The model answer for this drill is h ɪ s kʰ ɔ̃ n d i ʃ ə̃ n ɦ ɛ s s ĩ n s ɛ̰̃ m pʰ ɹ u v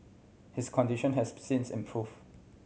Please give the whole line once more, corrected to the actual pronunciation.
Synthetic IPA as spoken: h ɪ s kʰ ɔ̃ n d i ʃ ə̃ n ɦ ɛ s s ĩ n s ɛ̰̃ m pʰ ɹ u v